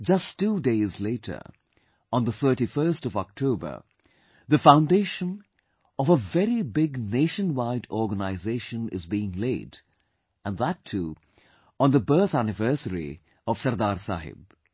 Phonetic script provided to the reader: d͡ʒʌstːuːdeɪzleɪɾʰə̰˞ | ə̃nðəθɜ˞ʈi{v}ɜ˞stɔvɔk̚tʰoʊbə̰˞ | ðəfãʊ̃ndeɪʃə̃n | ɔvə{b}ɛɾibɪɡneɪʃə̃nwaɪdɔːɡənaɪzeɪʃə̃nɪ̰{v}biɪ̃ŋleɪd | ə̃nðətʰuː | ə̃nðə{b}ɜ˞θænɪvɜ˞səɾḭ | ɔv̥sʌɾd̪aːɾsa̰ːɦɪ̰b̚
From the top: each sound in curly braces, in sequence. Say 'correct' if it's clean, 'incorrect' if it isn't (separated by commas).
incorrect, incorrect, incorrect, correct